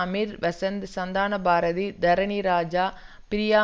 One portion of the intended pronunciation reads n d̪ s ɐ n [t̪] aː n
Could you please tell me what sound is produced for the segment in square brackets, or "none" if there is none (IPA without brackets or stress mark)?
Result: d̪